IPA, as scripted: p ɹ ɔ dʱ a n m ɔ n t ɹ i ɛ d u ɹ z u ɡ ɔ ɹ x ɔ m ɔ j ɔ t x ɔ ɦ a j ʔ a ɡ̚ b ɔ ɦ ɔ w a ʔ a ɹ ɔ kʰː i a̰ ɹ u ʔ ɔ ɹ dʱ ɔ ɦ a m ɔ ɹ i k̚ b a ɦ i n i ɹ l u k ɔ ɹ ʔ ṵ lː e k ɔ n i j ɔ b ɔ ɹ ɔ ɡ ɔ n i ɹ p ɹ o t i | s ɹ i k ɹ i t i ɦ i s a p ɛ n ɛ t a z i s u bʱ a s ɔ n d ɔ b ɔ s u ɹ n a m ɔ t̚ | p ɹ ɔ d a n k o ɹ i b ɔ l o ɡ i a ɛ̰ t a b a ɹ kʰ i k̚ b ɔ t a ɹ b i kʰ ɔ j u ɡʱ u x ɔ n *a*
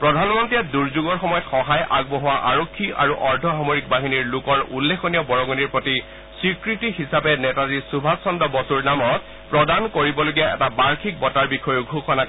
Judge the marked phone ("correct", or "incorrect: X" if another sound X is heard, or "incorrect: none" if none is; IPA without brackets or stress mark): correct